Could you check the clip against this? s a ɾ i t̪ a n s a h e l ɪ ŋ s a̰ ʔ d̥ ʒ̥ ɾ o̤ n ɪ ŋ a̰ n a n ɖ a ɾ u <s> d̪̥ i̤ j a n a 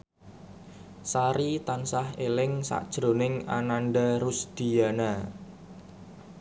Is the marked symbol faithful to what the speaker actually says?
yes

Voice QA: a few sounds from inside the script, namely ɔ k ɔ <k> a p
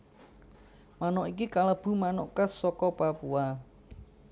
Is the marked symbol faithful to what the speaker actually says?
no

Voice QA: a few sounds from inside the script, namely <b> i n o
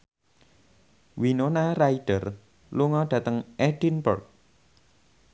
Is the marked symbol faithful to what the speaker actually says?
no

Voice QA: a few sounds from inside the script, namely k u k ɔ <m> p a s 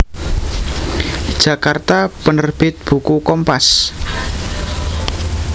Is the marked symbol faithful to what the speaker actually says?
yes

